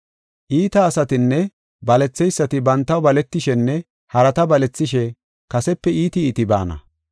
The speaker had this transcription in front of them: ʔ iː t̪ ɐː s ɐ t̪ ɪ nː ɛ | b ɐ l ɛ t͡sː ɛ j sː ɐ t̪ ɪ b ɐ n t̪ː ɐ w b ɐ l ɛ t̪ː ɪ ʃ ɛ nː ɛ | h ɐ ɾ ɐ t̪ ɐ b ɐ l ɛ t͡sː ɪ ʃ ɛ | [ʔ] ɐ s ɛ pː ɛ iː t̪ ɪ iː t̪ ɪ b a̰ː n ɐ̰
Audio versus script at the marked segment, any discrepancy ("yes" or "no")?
yes